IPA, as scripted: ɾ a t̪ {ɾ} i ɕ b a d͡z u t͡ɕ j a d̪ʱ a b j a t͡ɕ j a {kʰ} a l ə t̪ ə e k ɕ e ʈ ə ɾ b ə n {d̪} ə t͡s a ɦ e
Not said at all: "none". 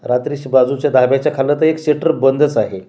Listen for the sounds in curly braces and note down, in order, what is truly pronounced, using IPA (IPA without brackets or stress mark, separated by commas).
ɾ, kʰ, d̪